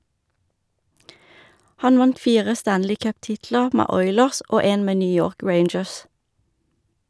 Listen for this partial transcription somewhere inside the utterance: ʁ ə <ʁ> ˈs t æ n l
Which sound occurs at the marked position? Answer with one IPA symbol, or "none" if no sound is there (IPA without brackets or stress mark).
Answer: none